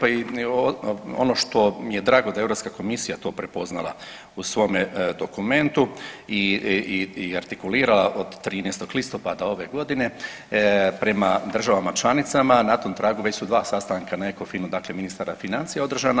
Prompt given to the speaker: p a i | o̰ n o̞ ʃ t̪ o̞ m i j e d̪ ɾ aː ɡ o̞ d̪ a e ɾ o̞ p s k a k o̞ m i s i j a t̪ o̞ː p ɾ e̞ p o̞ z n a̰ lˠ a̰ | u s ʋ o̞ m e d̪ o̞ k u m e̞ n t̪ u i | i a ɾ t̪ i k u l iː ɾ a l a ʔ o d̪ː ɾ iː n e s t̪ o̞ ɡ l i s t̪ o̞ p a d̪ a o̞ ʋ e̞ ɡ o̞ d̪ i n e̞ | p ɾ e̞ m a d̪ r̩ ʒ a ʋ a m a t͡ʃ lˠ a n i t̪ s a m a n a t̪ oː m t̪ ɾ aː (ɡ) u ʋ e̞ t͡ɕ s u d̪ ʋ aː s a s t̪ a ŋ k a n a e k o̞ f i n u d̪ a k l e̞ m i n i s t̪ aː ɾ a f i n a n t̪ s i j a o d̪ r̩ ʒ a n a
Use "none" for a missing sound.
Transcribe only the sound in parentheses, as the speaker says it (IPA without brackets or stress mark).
ɡ